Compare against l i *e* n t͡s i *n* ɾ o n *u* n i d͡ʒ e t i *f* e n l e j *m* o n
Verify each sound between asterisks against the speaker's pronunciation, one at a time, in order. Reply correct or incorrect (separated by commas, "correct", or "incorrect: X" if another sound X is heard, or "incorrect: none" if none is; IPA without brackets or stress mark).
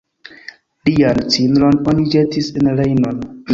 incorrect: a, correct, incorrect: o, incorrect: s, incorrect: n